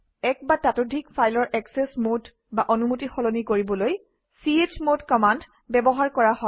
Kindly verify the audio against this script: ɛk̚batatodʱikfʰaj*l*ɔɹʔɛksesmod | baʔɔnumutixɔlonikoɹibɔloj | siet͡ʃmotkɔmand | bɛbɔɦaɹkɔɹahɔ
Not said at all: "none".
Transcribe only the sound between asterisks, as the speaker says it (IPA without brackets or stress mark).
l